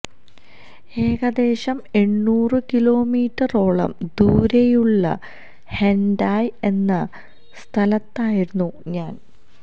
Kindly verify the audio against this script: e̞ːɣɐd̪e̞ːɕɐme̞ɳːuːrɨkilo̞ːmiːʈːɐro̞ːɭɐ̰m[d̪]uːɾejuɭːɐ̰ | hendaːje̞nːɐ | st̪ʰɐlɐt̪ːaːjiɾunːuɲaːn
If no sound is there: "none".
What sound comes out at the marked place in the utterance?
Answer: d̪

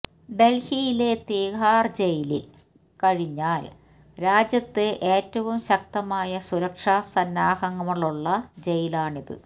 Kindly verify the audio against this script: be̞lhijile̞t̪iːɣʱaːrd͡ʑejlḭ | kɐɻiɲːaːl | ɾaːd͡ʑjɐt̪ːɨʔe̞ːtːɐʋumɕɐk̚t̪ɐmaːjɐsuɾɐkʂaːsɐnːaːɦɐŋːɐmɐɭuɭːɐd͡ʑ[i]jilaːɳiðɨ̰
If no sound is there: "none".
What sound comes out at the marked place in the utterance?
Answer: e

